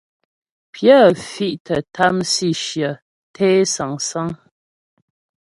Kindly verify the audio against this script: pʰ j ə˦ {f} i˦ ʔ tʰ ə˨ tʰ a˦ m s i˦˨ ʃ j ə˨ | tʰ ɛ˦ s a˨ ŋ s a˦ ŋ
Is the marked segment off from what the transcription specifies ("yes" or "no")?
no